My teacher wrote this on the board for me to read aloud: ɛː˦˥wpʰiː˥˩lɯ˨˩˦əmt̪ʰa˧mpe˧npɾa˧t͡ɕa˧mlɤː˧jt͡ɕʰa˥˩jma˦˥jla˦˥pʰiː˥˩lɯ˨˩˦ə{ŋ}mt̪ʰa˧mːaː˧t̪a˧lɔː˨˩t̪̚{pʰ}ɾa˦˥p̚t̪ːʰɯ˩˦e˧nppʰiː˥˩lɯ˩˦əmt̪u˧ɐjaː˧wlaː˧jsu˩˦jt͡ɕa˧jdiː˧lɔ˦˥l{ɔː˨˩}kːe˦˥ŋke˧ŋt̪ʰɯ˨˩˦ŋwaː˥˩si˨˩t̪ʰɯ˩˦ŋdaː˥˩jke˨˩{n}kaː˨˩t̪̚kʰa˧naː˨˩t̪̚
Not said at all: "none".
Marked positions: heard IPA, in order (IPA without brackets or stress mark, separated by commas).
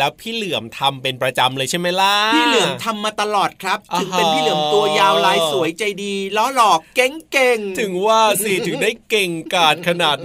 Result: none, kʰ, ɔː˨˩, ŋ